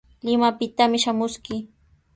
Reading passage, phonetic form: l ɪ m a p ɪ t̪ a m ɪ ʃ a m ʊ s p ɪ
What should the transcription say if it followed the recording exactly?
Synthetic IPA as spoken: l ɪ m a p ɪ t̪ a m ɪ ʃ a m ʊ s k ɪ